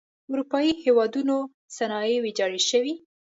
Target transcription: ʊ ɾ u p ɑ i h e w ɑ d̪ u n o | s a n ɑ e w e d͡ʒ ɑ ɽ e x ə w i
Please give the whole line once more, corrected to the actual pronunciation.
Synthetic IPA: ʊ ɾ u p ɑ i h e w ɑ d̪ u n o | s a n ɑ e w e d͡ʒ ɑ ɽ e ʃ ə w i